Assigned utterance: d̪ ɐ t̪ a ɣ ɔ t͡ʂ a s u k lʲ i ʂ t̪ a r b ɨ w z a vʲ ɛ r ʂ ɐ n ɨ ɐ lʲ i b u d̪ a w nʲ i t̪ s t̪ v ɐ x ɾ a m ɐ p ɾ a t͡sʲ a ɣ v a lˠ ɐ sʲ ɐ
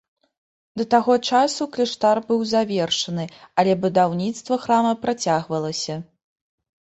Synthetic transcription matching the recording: d̪ ɐ t̪ a ɣ ɔ t͡ʂ a s u k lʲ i ʂ t̪ a r b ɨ w z a vʲ ɛ r ʂ ɐ n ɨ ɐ lʲ ɛ b u d̪ a w nʲ i t̪ s t̪ v ɐ x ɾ a m ɐ p ɾ a t͡sʲ a ɣ v ɐ lˠ ɐ sʲ ɐ